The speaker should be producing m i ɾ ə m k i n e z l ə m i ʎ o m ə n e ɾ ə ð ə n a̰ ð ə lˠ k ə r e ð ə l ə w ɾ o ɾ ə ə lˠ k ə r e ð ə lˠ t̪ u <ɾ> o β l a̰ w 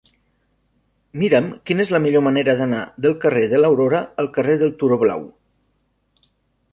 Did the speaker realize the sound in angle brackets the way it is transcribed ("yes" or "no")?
yes